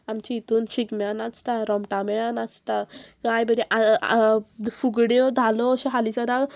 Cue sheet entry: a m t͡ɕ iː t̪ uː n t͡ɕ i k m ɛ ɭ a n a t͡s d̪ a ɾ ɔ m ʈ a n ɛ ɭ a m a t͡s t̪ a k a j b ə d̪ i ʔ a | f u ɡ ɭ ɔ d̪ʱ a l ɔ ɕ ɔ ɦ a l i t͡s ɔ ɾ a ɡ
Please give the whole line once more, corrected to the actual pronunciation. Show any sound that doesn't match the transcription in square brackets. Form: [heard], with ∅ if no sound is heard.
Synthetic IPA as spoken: a m t͡ɕ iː t̪ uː n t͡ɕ i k m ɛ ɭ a n a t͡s [t̪] a ɾ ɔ m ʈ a [m] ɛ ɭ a [n] a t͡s t̪ a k a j b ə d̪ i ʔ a | f u ɡ [ɽ] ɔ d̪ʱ a l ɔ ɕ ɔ ɦ a l i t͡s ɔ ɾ a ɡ